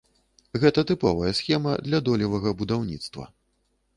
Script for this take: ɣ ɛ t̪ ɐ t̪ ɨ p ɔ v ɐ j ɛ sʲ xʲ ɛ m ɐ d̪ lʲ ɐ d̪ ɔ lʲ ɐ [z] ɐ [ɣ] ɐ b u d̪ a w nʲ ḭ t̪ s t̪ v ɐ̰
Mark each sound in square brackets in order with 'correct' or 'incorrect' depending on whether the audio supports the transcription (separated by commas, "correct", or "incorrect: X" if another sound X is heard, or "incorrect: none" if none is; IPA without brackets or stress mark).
incorrect: v, correct